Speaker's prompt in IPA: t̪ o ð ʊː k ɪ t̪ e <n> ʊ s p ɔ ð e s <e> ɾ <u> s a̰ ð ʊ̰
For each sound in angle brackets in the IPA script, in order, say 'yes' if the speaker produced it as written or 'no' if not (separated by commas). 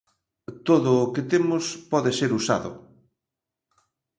no, yes, yes